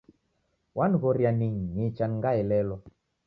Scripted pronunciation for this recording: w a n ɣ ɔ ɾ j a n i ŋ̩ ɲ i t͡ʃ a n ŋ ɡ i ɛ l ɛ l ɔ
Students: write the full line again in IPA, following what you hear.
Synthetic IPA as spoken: w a n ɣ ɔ ɾ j a n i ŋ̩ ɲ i t͡ʃ a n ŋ ɡ a ɛ l ɛ l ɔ

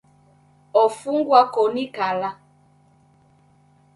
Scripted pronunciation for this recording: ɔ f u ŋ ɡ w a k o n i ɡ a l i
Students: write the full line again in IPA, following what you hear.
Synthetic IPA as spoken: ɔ f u ŋ ɡ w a k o n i k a l a

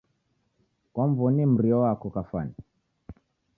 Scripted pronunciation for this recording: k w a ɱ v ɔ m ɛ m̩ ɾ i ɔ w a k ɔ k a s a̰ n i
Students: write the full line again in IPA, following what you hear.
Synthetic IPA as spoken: k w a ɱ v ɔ n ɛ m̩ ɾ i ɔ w a k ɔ k a f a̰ n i

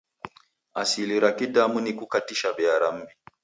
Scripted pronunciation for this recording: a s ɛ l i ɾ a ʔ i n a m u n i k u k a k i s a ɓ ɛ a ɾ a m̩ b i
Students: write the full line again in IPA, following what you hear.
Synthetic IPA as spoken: a s i l i ɾ a k i d a m u n i k u k a t i ʃ a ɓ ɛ a ɾ a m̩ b i

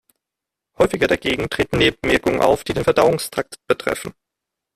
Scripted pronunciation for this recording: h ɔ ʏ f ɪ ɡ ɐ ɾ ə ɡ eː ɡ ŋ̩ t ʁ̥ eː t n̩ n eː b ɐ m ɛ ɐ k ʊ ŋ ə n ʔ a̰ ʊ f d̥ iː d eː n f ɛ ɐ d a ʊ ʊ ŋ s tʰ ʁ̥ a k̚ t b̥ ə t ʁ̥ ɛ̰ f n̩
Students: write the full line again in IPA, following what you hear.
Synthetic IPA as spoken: h ɔ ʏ f ɪ ɡ ɐ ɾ a ɡ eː ɡ ŋ̩ t ʁ̥ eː t n̩ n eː b ə m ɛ ɐ k ʊ ŋ ə n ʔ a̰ ʊ f d̥ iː d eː n f ɛ ɐ d a ʊ ʊ ŋ s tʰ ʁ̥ a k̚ t b̥ ə t ʁ̥ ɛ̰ f n̩

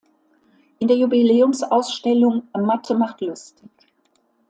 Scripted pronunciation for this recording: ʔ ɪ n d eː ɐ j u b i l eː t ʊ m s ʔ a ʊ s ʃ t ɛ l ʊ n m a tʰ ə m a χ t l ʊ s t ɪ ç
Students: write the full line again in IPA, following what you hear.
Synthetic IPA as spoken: ʔ ɪ n d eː ɐ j u b i l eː ʊ m s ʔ a ʊ s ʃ t ɛ l ʊ ŋ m a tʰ ə m a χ t l ʊ s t ɪ ç

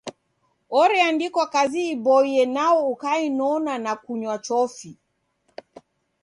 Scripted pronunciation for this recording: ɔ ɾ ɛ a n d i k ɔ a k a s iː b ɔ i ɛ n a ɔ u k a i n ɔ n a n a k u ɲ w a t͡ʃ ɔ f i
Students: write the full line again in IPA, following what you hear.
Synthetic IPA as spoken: ɔ ɾ ɛ a n d i k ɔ a k a z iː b ɔ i ɛ n a ɔ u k a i n ɔ n a n a k u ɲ w a t͡ʃ ɔ f i

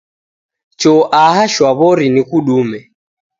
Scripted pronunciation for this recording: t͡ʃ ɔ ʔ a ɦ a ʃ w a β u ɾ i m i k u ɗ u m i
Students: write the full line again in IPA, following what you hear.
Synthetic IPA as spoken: t͡ʃ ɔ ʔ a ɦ a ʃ w a β ɔ ɾ i n i k u ɗ u m ɛ

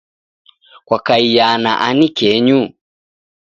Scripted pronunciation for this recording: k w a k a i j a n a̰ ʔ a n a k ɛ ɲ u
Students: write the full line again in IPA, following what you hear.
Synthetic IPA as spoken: k w a k a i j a n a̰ ʔ a n i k ɛ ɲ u

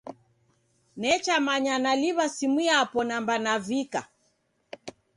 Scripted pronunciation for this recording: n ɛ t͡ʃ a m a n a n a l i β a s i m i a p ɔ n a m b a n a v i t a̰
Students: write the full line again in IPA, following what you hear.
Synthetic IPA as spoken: n ɛ t͡ʃ a m a ɲ a n a l i β a s i m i a p ɔ n a m b a n a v i k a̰

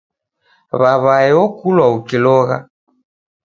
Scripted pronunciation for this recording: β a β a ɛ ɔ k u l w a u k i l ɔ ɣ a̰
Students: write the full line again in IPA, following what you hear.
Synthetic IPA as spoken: β a β a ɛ ɔ k u l w a u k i l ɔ ɣ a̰

